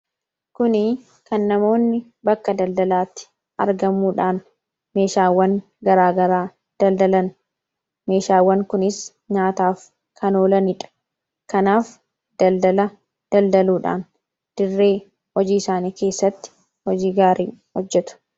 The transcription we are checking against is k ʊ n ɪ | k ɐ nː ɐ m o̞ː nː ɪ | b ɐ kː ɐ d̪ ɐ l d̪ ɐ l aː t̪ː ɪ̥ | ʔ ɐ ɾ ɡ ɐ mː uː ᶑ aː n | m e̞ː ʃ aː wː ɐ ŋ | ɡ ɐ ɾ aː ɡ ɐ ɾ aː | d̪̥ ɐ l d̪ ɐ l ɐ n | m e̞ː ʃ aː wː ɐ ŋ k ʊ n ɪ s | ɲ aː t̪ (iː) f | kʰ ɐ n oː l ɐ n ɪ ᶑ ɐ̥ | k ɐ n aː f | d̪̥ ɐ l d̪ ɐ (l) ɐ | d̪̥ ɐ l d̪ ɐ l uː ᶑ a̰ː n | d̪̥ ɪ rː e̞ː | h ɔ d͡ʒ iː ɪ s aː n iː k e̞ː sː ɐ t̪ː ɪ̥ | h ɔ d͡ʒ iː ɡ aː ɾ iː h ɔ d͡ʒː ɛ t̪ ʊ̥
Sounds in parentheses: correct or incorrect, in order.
incorrect, correct

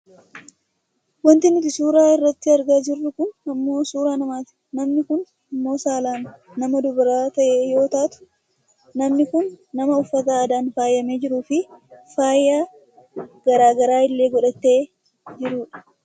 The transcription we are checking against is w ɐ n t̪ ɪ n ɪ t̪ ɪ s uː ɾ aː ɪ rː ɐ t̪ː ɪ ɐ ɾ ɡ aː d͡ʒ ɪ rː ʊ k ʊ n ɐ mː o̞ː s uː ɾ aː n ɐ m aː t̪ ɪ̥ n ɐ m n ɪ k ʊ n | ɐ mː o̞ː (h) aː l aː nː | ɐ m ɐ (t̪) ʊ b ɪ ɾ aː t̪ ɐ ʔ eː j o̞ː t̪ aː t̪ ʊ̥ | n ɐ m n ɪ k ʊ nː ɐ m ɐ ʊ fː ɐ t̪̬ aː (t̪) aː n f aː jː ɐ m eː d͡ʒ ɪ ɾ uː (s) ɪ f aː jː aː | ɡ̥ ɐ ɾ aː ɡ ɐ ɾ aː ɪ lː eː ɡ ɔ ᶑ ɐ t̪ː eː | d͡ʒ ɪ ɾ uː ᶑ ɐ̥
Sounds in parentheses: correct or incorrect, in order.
incorrect, incorrect, incorrect, incorrect

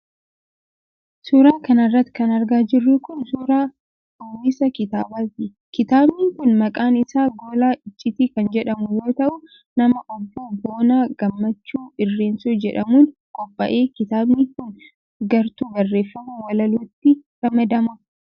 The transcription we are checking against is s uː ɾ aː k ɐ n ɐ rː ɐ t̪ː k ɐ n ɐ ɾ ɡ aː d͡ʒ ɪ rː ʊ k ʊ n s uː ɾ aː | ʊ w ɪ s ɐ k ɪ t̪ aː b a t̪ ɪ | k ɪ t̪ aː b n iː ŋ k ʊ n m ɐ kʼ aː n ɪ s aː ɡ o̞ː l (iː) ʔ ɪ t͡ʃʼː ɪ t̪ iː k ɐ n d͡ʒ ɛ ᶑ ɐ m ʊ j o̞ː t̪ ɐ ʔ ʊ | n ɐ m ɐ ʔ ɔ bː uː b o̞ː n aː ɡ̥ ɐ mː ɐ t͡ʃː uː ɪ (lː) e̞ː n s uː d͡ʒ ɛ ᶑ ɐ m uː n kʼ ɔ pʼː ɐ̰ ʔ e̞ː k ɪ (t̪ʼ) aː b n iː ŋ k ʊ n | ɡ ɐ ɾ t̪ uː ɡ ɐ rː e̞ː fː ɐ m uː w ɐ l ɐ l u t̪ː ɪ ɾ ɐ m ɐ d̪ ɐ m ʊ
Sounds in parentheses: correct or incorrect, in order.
incorrect, incorrect, incorrect

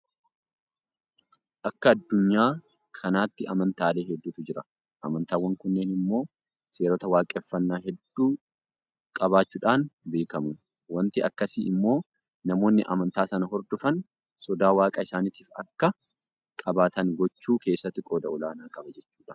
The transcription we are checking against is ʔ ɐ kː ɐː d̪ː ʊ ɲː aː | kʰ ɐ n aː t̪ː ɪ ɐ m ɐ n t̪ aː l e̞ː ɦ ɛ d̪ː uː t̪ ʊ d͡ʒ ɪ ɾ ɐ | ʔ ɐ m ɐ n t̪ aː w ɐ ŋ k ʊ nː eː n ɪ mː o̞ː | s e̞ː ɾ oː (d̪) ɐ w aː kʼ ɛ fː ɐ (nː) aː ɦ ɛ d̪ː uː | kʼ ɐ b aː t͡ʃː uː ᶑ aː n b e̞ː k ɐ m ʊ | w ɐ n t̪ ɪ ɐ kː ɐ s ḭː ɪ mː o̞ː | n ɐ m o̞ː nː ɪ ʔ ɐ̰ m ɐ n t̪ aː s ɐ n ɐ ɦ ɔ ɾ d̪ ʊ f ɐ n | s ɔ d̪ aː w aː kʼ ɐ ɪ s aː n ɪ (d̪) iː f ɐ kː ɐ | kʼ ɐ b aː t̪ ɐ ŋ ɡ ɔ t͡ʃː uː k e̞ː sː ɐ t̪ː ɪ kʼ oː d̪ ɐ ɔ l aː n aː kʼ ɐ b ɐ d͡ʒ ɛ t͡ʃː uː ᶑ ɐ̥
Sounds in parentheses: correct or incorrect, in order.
incorrect, correct, incorrect

